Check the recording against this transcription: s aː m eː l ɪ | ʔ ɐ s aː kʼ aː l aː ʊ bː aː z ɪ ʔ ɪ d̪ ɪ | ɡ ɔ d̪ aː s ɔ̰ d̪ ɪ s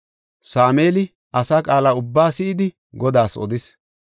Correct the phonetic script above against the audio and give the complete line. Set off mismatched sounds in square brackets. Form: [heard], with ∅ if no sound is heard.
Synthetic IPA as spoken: s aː m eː l ɪ | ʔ ɐ s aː kʼ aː l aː ʊ bː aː [s] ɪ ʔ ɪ d̪ ɪ | ɡ ɔ d̪ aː s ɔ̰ d̪ ɪ s